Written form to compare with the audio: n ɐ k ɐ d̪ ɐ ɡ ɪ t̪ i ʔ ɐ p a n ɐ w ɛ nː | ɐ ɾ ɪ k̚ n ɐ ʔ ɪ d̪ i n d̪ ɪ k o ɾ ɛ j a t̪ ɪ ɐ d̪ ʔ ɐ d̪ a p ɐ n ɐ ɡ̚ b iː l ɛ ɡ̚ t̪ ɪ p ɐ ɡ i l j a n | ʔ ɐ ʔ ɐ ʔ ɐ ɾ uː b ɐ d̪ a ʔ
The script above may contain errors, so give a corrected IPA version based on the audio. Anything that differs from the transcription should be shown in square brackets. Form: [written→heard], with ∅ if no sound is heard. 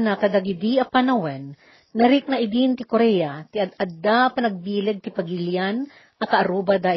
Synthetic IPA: n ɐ k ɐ d̪ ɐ ɡ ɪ [t̪→d̪] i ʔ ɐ p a n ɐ w ɛ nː | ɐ ɾ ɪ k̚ n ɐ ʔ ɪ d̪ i n [d̪→t̪] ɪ k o ɾ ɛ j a t̪ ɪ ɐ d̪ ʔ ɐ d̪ a p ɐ n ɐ ɡ̚ b iː l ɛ ɡ̚ t̪ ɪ p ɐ ɡ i l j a n | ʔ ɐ [ʔ→k] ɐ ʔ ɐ ɾ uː b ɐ d̪ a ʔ